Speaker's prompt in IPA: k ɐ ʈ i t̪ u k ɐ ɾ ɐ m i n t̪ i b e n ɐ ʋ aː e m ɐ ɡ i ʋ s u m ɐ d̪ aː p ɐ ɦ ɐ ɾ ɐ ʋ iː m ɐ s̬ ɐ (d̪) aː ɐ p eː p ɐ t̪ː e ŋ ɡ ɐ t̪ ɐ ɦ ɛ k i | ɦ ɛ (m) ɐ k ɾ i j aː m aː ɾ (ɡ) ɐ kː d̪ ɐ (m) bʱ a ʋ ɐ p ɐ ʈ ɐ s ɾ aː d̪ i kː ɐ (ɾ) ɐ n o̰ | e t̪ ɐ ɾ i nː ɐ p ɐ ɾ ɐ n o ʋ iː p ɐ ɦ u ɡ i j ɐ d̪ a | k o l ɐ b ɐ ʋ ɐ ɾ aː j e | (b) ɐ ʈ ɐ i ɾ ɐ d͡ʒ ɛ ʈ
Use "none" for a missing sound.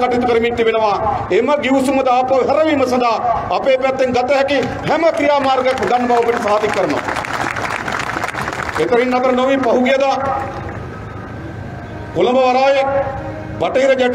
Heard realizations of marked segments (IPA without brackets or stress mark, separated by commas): d̪, m, ɡ, n, ɾ, b